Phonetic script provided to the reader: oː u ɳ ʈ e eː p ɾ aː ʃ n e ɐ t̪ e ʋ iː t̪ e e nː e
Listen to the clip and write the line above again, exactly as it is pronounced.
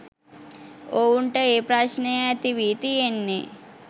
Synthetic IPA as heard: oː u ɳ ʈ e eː p ɾ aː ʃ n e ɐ t̪ i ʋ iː t̪ i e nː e